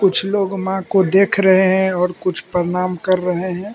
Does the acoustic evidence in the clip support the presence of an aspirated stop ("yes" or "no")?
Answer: yes